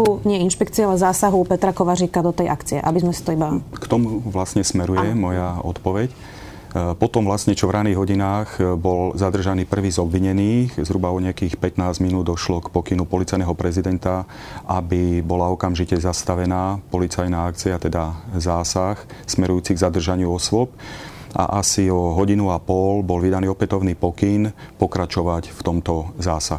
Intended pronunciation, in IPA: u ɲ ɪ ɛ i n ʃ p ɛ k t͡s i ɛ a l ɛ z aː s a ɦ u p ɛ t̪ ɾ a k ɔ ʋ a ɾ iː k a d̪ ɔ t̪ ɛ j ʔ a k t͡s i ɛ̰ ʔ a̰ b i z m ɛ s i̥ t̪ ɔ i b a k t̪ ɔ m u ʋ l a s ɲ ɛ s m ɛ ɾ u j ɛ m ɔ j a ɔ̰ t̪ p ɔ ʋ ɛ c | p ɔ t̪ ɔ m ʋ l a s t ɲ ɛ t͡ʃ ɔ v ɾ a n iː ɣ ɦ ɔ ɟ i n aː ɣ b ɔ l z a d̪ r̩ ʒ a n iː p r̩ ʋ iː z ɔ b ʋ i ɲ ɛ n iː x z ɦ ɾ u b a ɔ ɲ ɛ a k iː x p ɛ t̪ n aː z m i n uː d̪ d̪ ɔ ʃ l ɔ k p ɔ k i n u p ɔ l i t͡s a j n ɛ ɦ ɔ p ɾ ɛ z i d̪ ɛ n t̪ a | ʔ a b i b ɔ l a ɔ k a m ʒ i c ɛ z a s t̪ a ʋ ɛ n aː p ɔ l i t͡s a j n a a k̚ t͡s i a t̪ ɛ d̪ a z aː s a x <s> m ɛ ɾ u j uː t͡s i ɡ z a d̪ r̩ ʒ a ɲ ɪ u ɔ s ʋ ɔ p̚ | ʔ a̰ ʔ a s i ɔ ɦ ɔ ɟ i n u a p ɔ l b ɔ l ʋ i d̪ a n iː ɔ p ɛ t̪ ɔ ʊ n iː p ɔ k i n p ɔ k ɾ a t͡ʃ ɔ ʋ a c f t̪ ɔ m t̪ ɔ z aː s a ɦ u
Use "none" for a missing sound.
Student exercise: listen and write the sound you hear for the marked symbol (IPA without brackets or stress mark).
s